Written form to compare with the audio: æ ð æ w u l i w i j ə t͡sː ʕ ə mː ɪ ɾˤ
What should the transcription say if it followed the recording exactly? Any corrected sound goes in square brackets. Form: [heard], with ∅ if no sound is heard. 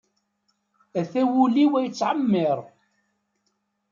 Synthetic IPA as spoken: æ [θ] æ w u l i w [æ] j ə t͡sː ʕ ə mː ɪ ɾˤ